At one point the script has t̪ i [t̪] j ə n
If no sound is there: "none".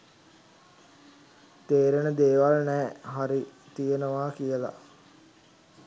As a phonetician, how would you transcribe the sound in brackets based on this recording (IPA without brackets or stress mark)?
none